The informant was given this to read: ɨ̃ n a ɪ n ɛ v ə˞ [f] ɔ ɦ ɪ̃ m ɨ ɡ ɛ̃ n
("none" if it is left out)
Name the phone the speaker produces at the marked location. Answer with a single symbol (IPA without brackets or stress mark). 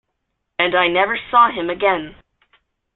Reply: s